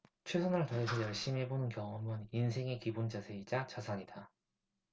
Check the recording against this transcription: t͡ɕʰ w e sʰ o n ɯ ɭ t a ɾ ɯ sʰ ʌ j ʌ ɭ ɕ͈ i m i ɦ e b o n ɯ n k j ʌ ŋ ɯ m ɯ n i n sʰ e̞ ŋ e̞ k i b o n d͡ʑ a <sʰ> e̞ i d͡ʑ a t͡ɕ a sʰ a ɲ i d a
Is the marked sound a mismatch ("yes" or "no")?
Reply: no